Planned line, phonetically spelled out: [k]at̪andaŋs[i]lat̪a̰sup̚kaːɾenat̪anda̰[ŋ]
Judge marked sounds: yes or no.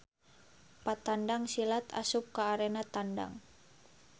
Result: no, yes, yes

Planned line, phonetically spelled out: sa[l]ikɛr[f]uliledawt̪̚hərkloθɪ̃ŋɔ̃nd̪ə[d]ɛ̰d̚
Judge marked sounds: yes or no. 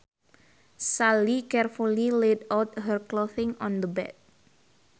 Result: yes, yes, no

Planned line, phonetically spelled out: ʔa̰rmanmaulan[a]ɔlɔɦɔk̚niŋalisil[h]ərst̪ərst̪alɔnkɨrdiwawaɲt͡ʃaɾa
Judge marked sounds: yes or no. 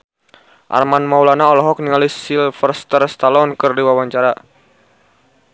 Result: yes, no

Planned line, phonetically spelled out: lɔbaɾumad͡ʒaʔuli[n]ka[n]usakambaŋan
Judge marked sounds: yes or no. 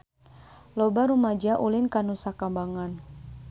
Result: yes, yes

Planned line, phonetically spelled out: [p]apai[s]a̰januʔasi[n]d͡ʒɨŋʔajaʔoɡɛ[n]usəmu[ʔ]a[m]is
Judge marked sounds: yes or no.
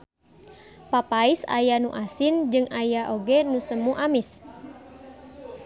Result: yes, yes, yes, yes, yes, yes

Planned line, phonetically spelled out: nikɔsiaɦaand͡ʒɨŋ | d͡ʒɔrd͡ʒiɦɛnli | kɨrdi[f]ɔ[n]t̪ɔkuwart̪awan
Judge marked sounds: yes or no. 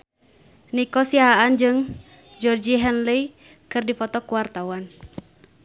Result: yes, no

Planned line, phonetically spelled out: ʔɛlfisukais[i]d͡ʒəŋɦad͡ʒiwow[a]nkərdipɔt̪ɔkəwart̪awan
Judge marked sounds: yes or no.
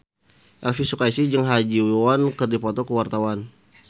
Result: yes, yes

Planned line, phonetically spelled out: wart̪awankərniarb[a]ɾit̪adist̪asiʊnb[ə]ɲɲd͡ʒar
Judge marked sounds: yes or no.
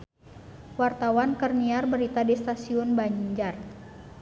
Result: no, no

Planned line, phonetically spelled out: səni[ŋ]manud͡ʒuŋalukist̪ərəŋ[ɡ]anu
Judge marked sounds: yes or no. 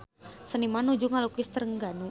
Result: no, yes

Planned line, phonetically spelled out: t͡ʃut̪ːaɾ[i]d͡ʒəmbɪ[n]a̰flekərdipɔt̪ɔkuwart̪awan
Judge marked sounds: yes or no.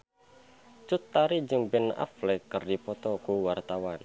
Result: yes, yes

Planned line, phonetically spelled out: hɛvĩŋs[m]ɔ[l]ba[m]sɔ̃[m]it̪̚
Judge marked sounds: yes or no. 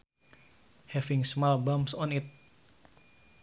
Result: yes, yes, yes, no

